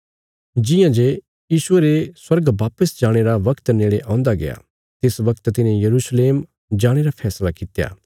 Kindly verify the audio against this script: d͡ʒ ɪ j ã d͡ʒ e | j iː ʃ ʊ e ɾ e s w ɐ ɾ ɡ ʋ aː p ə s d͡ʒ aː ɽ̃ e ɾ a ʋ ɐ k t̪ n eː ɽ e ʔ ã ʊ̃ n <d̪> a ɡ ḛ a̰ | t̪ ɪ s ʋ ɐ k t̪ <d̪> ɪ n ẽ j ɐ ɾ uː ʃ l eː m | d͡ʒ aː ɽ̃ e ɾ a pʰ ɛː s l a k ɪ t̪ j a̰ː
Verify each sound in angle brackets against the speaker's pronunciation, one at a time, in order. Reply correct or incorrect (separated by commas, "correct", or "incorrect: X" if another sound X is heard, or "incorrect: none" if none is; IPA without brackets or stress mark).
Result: correct, incorrect: t̪